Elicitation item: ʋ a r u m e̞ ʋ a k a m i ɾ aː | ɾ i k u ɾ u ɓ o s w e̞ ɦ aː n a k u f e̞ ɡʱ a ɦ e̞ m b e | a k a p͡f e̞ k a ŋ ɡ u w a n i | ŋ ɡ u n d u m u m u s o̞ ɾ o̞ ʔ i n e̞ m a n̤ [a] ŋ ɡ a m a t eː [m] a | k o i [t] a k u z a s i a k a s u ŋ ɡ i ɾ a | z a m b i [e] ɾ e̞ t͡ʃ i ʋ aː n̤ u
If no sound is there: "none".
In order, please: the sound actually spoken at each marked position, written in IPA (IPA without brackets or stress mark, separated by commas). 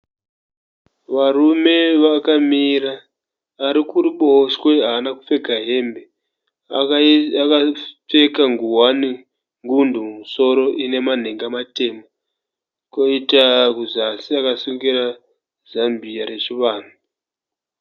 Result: e, m, t, a